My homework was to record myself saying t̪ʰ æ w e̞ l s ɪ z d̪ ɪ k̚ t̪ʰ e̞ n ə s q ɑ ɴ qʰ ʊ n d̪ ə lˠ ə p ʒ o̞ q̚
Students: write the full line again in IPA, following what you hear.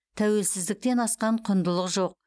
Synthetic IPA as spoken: t̪ʰ æ w e̞ l s ɪ z d̪ ɪ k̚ t̪ e̞ n ɑ s q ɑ ɴ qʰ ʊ n d̪ ə lˠ ə q ʒ o̞ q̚